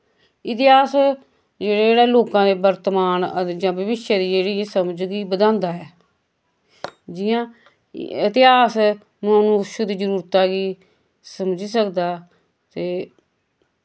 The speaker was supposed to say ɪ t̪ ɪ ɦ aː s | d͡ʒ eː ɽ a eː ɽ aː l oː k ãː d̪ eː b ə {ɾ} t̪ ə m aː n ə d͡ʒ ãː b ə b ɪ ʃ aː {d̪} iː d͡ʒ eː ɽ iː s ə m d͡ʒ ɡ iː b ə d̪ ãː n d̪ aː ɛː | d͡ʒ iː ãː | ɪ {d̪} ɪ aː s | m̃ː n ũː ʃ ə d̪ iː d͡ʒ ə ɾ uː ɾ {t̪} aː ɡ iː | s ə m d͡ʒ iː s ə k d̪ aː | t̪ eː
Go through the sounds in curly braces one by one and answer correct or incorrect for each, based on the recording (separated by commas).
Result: correct, correct, incorrect, correct